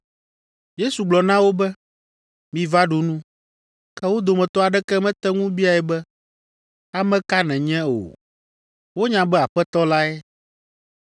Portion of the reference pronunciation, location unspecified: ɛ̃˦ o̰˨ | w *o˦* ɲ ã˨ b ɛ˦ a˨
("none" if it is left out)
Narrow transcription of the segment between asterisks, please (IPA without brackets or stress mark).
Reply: o˦